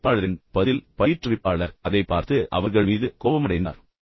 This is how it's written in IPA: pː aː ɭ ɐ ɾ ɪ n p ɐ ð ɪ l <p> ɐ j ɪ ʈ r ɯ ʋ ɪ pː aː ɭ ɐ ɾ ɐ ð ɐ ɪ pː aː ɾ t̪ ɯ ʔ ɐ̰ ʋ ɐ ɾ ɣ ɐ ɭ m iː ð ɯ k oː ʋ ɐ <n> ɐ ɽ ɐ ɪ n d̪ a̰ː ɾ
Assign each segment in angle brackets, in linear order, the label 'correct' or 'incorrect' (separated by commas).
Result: correct, incorrect